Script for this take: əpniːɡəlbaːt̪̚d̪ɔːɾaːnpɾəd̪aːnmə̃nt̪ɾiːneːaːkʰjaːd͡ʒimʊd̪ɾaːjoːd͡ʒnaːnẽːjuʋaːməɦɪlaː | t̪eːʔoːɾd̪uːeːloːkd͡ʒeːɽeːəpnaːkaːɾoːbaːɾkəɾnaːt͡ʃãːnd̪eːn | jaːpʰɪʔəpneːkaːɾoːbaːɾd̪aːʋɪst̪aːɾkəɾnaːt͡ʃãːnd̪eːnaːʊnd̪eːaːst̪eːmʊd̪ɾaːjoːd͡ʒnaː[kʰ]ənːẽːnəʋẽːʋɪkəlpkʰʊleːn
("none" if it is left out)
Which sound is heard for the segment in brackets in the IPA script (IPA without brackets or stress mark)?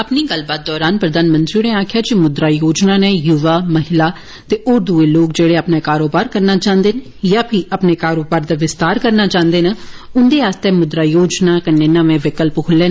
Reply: k